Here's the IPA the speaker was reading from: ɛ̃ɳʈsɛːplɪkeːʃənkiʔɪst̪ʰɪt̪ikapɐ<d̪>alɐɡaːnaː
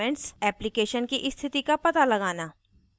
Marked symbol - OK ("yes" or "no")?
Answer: no